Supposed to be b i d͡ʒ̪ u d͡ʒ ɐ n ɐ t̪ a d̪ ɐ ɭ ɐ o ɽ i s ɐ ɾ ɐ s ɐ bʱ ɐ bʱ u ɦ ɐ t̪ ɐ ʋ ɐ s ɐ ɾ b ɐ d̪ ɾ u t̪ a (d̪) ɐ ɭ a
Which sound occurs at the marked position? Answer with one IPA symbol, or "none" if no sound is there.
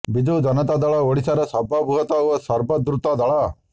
d̪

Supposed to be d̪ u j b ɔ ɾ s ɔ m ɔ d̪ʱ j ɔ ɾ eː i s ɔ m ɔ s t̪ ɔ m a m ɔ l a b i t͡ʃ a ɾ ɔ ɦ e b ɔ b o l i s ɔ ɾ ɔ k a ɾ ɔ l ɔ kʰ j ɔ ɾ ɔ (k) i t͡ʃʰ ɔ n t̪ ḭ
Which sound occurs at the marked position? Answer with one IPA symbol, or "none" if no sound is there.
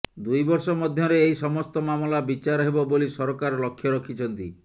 kʰ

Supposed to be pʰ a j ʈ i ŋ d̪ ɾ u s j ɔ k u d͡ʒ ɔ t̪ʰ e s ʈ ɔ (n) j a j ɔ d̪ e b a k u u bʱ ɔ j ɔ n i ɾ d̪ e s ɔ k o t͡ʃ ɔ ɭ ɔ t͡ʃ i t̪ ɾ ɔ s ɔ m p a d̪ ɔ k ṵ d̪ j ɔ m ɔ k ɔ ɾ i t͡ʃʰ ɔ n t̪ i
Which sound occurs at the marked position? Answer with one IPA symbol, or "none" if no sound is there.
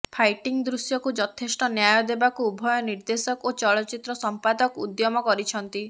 n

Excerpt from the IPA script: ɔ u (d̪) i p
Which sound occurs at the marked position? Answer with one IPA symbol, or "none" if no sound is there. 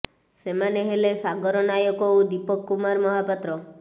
d̪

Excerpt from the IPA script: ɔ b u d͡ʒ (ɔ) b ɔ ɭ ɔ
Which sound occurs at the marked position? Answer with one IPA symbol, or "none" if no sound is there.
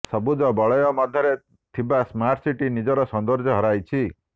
ɔ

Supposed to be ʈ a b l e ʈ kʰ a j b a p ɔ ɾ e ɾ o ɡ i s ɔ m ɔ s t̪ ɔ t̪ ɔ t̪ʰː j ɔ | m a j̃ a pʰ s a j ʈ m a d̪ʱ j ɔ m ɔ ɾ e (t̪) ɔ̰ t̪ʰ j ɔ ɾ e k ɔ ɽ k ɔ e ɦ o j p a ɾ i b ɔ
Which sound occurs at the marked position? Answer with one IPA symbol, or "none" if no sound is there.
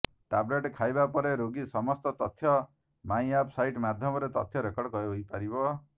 t̪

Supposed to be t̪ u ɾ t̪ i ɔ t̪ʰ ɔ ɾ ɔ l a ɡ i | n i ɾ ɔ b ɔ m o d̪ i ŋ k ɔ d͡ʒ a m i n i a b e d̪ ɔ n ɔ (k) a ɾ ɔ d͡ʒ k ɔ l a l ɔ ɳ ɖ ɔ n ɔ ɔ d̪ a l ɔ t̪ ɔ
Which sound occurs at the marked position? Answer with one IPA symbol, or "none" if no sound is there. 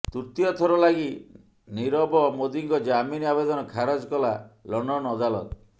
kʰ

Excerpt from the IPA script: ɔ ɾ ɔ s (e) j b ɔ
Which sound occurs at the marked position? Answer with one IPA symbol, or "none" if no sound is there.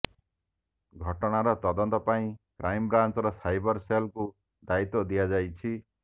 a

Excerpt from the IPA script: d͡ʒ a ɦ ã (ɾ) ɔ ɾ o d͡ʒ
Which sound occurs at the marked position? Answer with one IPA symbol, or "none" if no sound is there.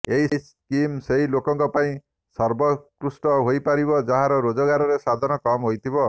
ɾ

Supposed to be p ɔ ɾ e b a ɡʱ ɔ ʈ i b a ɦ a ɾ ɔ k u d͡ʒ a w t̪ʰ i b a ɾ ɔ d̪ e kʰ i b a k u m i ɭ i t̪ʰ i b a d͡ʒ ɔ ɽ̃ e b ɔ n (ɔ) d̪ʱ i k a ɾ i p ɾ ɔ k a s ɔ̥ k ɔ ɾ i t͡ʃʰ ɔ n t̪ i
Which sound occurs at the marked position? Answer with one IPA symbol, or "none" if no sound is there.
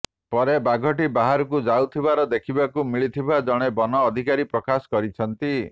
ɔː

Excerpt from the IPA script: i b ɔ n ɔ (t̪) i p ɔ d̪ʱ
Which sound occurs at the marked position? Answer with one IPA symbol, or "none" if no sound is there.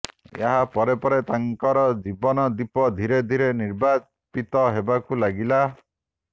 d̪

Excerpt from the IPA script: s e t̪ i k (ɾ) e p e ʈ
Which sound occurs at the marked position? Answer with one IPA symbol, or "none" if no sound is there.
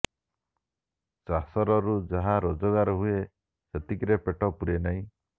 ɾ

